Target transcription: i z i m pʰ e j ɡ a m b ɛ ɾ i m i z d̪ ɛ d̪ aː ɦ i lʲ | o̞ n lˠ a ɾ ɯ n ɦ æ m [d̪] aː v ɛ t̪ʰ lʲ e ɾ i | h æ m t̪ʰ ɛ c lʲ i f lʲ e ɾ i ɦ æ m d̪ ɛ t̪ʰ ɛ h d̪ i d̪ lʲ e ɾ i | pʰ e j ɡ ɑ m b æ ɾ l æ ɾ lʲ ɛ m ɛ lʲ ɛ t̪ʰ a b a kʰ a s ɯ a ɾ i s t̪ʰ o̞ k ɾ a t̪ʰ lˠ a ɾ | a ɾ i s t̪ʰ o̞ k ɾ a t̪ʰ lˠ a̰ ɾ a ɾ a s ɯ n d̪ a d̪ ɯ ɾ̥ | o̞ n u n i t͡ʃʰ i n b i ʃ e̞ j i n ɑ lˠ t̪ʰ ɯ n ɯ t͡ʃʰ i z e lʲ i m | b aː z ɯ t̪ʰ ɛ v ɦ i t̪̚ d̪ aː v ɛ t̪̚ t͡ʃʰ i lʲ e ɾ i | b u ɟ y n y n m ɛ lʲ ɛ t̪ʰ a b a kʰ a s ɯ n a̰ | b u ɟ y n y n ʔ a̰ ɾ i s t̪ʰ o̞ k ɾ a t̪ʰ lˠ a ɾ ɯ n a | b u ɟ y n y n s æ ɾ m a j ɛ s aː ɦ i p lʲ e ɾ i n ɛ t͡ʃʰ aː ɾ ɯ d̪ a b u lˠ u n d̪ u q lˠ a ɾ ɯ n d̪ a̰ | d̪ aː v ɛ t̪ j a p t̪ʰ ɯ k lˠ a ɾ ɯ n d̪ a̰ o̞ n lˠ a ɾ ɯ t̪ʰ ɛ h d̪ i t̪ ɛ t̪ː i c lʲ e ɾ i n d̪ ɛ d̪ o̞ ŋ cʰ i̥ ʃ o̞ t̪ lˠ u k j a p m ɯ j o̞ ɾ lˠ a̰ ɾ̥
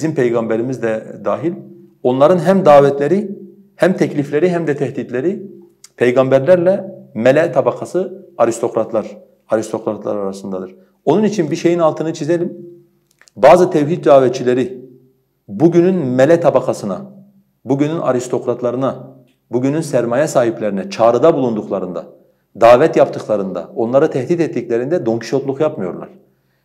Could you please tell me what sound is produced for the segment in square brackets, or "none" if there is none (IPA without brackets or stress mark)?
d̪